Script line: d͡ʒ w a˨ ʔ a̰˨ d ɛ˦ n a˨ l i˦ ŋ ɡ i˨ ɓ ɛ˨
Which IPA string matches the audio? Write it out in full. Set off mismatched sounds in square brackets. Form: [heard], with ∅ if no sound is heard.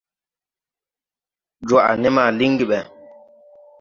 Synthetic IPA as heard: d͡ʒ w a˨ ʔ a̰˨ [n] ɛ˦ [m] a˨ l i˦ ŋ ɡ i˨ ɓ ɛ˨

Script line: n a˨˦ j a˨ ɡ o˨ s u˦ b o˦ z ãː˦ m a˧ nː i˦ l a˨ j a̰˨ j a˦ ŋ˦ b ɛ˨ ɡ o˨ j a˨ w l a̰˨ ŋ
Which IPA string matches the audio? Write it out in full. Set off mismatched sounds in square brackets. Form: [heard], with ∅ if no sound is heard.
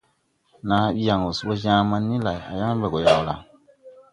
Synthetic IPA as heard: n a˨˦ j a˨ [ŋ] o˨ s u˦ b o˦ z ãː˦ m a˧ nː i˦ l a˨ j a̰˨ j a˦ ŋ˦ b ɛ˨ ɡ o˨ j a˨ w l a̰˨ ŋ

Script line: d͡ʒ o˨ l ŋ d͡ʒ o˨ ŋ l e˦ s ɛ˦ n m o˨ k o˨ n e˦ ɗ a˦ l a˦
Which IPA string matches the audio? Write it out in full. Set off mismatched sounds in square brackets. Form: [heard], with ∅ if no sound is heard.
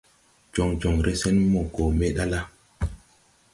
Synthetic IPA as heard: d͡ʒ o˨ [∅] ŋ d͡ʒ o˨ ŋ [ɾ] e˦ s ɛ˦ n m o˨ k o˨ [m] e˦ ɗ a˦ l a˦

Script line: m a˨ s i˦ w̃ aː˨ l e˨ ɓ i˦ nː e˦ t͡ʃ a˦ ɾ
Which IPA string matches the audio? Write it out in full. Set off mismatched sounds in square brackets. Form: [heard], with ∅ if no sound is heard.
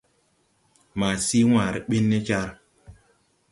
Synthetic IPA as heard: m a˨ s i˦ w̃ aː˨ [ɾ] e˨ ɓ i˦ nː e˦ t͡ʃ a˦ ɾ

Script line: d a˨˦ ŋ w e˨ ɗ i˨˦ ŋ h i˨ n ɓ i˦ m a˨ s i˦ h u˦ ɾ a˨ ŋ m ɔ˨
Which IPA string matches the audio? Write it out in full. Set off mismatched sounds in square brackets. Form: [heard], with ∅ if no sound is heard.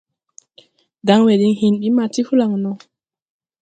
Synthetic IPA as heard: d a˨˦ ŋ w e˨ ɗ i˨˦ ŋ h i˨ n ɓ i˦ m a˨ [t] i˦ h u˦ [l] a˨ ŋ [n] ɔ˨

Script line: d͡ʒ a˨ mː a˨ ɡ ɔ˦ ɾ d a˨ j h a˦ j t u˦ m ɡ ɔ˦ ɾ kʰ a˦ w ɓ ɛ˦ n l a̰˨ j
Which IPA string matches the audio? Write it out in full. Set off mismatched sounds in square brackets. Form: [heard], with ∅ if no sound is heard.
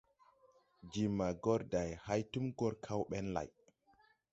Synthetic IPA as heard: d͡ʒ [i˨] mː a˨ ɡ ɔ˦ ɾ d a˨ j h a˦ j t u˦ m ɡ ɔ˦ ɾ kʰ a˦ w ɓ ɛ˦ n l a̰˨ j

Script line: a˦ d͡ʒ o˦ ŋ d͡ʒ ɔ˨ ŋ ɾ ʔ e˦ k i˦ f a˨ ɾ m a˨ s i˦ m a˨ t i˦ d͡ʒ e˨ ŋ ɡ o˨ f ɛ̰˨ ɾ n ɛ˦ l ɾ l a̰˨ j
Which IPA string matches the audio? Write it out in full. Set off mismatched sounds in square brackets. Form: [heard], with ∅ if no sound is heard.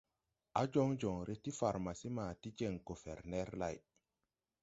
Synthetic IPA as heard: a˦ d͡ʒ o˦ ŋ d͡ʒ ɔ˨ ŋ ɾ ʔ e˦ [t] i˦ f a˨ ɾ m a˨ s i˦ m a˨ t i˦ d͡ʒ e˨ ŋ ɡ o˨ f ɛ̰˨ ɾ n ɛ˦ [∅] ɾ l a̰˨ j

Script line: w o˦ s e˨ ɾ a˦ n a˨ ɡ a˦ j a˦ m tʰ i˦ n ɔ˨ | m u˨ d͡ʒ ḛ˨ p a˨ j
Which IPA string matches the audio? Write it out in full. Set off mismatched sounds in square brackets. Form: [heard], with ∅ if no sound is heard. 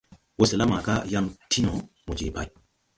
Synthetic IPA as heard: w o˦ s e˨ [l] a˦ [m] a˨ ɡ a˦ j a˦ m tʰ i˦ n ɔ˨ | m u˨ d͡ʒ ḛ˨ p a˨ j

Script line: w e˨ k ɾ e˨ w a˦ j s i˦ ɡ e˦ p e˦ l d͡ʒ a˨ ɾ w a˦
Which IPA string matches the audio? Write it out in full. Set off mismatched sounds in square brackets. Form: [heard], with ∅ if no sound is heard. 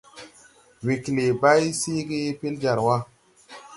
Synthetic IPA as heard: w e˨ k [l] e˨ [b] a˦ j s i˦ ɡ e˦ p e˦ l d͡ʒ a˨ ɾ w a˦

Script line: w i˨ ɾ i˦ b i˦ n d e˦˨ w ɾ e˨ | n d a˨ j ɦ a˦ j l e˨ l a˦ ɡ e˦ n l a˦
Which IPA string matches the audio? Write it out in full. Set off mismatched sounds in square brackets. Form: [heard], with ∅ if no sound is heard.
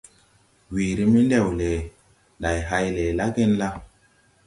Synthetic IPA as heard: w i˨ ɾ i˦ [m] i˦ n d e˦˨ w [l] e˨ | n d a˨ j ɦ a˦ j l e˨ l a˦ ɡ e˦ n l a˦

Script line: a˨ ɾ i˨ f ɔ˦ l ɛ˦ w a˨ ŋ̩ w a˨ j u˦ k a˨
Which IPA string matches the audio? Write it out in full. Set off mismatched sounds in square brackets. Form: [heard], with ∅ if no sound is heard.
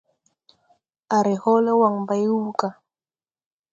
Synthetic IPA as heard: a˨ ɾ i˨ [h] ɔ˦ l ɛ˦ w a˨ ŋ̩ [b] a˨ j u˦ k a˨

